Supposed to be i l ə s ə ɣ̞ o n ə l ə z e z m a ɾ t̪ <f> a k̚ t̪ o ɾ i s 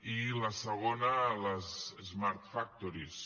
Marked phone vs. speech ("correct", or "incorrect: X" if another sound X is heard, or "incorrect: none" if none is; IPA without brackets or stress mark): correct